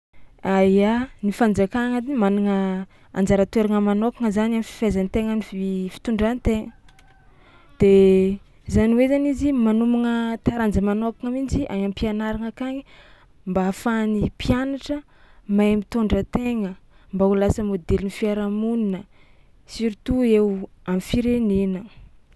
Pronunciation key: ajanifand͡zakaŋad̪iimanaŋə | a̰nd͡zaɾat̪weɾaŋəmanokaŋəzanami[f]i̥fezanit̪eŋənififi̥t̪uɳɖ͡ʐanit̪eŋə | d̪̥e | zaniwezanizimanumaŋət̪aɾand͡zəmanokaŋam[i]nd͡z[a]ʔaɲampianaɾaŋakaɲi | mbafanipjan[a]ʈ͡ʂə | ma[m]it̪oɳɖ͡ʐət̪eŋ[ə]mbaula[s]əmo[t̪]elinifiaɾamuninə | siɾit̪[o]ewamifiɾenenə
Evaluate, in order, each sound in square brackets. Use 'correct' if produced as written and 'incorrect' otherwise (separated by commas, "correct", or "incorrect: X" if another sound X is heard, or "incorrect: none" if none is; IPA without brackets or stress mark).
correct, correct, incorrect: i, correct, correct, correct, correct, incorrect: d̪, incorrect: u